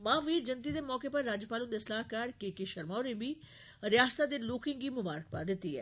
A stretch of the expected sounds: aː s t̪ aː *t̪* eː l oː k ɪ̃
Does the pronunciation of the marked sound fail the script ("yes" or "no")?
yes